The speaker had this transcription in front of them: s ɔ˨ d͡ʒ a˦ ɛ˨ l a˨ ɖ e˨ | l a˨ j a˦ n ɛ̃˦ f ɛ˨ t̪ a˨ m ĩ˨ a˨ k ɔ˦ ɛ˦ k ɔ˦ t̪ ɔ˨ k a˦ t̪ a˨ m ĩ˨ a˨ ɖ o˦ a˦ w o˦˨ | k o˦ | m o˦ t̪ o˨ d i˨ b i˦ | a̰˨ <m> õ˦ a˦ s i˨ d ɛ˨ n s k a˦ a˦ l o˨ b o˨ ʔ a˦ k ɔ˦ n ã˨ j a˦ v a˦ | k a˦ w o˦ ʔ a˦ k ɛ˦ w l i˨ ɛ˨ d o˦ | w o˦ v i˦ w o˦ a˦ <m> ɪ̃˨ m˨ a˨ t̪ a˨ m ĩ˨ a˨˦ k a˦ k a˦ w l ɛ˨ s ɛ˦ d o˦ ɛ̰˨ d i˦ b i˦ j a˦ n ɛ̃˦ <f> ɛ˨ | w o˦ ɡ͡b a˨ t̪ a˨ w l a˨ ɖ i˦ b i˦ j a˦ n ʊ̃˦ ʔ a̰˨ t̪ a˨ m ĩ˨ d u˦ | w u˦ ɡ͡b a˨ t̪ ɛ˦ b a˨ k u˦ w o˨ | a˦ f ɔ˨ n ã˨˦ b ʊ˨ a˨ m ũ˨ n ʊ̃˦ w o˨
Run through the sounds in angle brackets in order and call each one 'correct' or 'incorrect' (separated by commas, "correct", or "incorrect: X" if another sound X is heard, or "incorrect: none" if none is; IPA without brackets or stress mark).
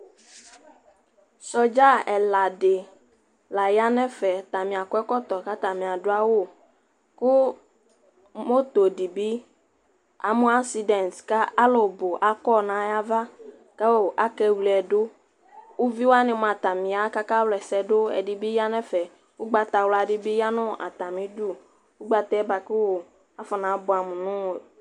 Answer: correct, incorrect: n, correct